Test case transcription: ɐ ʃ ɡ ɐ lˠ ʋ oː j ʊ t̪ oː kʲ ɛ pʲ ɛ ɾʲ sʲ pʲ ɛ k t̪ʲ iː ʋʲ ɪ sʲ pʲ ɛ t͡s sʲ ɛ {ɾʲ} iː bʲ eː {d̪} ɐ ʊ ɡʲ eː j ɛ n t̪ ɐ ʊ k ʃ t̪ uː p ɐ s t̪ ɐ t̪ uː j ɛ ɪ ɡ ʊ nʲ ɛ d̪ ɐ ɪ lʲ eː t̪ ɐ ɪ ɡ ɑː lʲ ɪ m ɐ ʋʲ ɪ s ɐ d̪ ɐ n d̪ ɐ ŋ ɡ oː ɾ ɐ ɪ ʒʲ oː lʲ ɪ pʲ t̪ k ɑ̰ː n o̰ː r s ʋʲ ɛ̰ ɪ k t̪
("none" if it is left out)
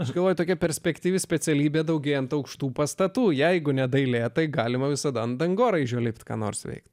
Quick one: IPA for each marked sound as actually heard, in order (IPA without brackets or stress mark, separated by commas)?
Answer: lʲ, d̪